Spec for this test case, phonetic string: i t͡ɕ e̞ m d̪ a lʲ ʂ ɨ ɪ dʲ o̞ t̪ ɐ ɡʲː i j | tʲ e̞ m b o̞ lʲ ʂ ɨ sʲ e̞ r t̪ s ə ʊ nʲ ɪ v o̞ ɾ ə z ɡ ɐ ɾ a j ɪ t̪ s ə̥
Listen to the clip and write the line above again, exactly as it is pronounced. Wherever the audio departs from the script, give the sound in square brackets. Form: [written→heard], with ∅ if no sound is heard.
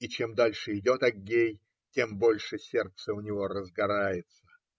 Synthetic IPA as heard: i t͡ɕ e̞ m d̪ a lʲ ʂ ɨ ɪ dʲ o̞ t̪ ɐ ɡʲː [i→e] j | tʲ e̞ m b o̞ lʲ ʂ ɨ sʲ e̞ r t̪ s ə ʊ nʲ ɪ v o̞ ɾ ə z ɡ ɐ ɾ a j ɪ t̪ s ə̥